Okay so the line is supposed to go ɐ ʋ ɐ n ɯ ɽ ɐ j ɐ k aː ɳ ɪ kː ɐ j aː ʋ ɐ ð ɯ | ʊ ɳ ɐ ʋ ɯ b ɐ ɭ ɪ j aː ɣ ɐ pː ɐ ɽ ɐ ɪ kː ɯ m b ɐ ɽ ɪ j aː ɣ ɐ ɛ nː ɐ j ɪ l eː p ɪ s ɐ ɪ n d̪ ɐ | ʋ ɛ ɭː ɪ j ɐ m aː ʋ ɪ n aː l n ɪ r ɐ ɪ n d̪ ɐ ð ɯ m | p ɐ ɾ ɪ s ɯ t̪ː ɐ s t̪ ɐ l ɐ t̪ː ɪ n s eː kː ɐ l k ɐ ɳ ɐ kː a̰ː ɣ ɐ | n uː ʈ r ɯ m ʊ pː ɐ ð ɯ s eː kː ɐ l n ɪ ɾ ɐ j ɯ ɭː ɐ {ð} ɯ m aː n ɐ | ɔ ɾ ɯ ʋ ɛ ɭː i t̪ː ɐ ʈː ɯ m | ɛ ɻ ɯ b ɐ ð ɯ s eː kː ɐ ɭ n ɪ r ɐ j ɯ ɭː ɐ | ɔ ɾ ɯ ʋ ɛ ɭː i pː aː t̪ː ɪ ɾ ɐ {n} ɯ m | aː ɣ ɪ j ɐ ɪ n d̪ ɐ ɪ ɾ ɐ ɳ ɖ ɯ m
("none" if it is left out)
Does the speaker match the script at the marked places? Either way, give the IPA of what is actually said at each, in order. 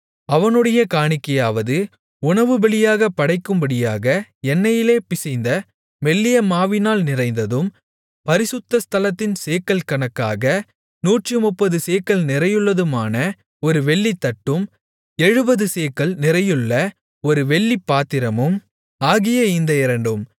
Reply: ð, m

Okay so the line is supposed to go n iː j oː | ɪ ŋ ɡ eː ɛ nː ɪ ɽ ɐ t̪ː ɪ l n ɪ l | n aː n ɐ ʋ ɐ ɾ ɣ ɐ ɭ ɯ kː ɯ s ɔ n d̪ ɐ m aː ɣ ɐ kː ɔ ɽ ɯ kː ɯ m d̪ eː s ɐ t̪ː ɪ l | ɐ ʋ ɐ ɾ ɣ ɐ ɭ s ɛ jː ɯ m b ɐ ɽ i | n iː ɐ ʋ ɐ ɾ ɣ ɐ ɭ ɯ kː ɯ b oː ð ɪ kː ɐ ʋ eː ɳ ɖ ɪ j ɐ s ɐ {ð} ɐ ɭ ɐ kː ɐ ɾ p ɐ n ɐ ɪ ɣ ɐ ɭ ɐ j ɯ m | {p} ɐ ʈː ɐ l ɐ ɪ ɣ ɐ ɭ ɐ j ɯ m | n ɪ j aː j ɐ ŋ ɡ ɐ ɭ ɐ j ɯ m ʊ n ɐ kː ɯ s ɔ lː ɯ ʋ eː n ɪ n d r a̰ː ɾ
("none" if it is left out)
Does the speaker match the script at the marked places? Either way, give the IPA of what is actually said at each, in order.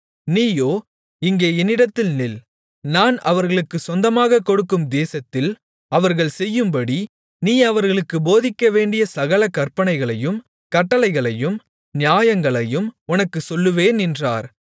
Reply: ɣ, k

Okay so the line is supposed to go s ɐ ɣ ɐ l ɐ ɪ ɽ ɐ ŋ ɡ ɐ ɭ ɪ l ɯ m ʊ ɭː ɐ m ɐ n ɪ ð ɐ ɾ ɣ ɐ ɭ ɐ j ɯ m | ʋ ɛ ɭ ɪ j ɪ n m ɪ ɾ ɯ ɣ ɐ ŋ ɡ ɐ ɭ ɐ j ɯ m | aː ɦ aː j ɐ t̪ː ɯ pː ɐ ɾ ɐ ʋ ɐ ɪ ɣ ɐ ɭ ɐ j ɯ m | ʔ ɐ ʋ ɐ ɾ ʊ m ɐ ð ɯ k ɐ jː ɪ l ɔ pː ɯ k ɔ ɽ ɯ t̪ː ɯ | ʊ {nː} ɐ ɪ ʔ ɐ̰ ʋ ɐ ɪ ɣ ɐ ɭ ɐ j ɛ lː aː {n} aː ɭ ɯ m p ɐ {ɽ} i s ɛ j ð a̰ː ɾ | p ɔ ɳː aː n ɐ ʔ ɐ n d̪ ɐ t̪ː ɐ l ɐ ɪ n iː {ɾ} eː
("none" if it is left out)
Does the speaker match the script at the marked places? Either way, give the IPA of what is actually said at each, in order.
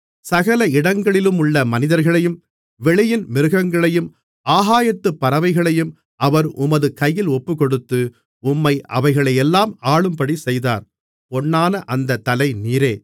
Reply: mː, m, ɽ, ɾ

